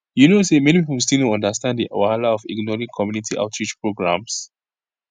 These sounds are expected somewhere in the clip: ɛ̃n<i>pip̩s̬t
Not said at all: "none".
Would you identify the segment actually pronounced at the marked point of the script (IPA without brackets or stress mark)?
i